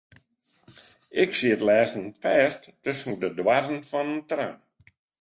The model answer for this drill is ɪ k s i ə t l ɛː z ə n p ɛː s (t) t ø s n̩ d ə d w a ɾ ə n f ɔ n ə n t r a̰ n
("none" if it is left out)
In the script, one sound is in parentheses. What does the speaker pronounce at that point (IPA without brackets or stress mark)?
t